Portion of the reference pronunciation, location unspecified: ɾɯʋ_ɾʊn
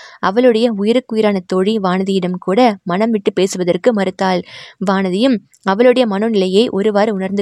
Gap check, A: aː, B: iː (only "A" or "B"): A